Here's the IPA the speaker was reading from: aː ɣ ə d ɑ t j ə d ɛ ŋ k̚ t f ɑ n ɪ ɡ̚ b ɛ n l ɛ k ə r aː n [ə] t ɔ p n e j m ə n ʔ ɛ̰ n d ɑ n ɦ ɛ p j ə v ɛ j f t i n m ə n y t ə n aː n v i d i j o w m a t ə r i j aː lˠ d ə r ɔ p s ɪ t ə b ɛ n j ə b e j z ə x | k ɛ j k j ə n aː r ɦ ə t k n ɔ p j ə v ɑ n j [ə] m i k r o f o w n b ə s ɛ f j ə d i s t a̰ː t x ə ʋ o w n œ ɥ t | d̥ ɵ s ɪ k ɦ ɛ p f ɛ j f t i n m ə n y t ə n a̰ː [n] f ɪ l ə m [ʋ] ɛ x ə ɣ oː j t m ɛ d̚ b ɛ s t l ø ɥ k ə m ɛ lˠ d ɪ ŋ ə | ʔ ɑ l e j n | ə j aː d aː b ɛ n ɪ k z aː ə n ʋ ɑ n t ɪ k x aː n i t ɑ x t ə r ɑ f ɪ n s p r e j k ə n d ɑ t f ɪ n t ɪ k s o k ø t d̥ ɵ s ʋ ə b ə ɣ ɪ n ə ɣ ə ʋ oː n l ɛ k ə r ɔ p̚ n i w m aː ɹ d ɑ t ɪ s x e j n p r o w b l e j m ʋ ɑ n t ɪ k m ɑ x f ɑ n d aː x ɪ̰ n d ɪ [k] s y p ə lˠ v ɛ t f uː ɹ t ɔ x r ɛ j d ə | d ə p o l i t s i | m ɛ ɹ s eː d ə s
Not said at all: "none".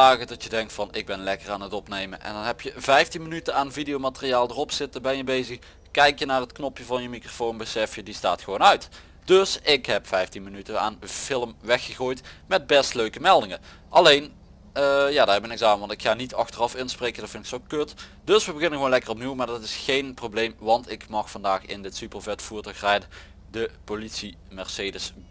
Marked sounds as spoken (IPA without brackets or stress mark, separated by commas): ə, ə, n, ʋ, t